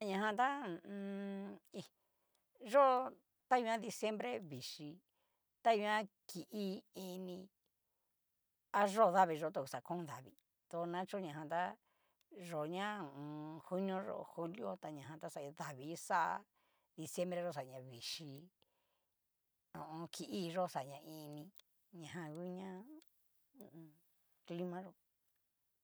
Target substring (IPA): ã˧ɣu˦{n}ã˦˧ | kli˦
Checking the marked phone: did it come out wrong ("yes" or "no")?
yes